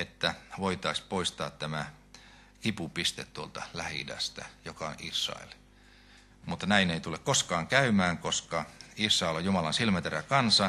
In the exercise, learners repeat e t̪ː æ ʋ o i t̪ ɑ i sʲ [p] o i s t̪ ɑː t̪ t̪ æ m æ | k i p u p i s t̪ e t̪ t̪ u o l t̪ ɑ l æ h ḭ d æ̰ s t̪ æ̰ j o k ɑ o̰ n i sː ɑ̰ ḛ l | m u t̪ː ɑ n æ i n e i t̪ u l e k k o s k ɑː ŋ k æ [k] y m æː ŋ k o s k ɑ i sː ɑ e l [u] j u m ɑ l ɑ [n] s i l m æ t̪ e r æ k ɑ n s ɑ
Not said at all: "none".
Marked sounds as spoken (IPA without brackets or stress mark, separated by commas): p, none, o, n